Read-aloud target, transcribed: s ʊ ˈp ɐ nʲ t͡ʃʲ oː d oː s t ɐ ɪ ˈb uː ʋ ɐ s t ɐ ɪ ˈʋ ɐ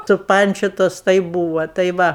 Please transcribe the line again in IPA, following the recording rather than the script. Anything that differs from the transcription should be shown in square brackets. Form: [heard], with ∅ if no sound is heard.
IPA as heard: s ʊ ˈp ɐ nʲ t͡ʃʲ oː [t] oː s t ɐ ɪ ˈb uː ʋ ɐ [∅] t ɐ ɪ ˈʋ ɐ